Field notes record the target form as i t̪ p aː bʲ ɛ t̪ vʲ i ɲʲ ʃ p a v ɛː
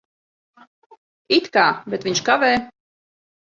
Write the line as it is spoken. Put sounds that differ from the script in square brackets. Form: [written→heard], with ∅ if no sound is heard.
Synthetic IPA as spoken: i t̪ [p→k] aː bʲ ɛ t̪ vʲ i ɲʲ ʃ [p→k] a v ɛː